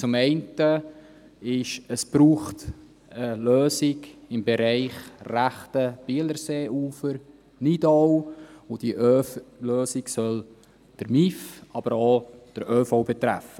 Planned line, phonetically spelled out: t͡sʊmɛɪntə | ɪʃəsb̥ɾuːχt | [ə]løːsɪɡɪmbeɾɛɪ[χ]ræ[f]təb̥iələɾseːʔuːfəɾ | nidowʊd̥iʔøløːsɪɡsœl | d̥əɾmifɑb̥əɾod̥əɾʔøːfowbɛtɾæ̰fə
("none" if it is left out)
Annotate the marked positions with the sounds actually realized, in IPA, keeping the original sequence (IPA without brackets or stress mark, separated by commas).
ə, χ, χ